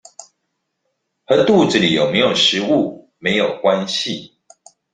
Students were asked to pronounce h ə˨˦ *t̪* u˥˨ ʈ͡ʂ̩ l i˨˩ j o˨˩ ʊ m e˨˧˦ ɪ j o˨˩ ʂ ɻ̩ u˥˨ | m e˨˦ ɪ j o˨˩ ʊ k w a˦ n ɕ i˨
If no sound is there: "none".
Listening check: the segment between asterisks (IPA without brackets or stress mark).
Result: t̪